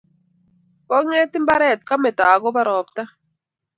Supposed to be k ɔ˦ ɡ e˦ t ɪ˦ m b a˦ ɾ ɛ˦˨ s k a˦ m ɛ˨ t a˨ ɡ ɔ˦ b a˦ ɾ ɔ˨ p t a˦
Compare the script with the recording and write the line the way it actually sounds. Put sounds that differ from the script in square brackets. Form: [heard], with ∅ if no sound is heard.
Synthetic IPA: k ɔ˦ [ŋ] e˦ t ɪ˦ m b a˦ ɾ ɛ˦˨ [t] k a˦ m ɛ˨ t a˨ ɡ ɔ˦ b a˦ ɾ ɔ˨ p t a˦